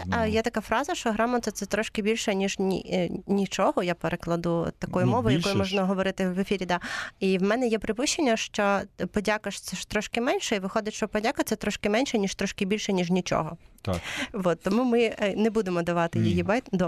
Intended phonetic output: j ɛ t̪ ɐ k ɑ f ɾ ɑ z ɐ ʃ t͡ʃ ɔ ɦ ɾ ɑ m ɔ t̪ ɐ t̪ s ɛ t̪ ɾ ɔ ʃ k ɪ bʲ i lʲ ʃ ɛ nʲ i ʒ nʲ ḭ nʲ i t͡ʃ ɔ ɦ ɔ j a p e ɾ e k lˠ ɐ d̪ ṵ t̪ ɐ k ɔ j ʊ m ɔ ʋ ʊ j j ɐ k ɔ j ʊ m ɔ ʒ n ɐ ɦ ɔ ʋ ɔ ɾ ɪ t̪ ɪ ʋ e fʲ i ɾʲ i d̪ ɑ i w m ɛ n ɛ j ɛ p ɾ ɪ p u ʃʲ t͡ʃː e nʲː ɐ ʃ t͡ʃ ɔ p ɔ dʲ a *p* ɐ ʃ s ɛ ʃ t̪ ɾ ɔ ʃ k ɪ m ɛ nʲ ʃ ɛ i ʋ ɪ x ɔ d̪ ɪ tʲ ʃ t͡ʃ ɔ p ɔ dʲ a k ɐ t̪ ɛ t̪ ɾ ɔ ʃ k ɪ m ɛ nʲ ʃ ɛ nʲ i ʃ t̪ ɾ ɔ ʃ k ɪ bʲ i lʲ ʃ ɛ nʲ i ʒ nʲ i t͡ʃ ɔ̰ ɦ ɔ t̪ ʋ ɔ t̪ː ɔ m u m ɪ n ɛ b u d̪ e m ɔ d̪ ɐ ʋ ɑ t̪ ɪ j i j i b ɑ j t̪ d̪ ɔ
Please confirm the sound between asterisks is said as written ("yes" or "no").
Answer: no